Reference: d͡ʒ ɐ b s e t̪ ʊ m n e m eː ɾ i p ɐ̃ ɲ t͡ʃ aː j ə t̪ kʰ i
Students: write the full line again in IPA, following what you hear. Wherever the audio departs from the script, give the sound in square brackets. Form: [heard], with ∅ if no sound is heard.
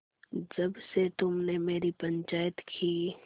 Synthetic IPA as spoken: d͡ʒ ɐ b s e t̪ ʊ m n e m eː ɾ i p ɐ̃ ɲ t͡ʃ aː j ə t̪ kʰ i